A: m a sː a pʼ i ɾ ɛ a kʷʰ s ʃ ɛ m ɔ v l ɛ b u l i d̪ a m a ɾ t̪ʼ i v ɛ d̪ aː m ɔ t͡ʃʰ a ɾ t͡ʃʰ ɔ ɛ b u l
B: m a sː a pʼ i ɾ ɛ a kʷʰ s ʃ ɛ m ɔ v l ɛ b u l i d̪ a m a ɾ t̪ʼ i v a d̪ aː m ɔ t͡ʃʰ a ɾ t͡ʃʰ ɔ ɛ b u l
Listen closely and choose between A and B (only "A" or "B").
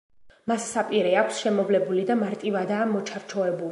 B